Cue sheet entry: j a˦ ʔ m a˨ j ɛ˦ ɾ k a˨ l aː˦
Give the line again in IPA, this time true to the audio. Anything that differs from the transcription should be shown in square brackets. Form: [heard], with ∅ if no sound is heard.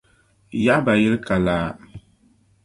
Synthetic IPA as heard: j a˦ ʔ [b] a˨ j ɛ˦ [l] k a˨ l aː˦